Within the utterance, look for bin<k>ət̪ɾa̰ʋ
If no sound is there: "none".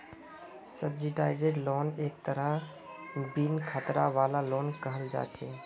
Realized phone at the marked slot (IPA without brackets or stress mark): kʰ